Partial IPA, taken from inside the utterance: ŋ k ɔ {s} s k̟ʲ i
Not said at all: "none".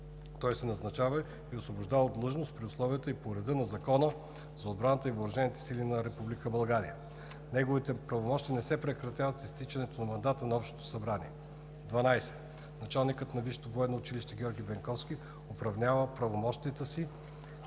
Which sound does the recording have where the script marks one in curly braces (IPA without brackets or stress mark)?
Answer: f